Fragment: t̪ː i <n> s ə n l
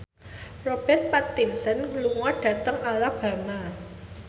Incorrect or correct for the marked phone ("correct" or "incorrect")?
correct